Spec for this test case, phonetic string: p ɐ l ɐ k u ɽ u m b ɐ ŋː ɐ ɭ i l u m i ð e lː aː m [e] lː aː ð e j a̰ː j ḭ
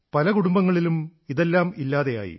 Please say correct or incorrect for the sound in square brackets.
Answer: incorrect